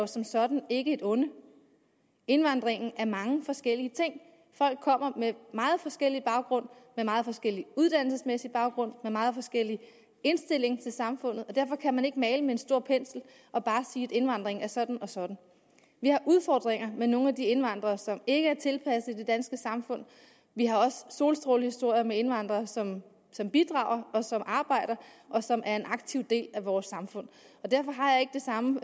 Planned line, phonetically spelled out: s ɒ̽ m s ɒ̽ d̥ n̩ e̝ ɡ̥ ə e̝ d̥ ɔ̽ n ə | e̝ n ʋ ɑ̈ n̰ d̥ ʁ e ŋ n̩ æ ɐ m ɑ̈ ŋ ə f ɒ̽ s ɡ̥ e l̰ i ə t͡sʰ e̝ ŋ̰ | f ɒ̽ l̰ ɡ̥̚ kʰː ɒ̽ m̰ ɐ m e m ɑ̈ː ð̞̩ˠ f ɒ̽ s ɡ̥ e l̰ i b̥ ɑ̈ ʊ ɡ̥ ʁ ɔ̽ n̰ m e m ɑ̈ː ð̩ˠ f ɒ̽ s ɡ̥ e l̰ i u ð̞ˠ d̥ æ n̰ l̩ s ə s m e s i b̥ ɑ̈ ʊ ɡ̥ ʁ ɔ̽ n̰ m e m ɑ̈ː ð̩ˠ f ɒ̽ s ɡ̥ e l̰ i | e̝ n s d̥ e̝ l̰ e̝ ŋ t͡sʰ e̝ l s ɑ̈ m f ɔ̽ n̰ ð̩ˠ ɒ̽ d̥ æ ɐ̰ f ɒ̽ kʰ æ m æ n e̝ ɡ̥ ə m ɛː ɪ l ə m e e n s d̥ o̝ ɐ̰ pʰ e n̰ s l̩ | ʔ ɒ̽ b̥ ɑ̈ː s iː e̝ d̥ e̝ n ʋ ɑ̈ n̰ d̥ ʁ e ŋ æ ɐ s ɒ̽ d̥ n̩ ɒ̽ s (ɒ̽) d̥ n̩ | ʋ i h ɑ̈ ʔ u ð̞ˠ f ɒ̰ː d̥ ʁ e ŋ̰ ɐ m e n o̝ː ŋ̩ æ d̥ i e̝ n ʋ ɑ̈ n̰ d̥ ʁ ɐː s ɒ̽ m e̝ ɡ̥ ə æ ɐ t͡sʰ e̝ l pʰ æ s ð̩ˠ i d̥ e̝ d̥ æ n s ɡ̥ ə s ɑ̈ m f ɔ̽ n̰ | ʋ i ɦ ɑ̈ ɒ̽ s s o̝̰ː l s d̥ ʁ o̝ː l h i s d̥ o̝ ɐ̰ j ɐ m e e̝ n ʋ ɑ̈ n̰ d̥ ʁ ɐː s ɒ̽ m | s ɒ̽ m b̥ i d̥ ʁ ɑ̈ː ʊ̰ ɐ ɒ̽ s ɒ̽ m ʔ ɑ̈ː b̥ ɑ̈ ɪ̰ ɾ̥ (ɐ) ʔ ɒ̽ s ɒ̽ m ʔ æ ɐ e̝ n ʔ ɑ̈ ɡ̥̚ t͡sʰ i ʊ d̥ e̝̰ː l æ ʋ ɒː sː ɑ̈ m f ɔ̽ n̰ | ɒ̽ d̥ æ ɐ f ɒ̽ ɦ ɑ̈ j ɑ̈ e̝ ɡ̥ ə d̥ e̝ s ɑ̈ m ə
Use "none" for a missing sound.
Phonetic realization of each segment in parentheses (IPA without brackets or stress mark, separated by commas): ɒ̽, ɐ